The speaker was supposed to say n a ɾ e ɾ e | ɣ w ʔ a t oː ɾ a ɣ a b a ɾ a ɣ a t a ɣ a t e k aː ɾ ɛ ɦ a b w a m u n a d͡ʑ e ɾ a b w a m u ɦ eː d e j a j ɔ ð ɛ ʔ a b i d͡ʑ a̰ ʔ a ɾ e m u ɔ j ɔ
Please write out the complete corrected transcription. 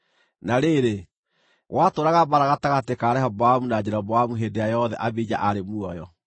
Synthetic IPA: n a ɾ e ɾ e | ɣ w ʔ a t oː ɾ a ɣ a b a ɾ a ɣ a t a ɣ a t e k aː ɾ ɛ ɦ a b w a m u n a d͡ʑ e ɾ a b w a m u ɦ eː d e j a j ɔ ð ɛ ʔ a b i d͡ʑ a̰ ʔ a ɾ e m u ɔ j ɔ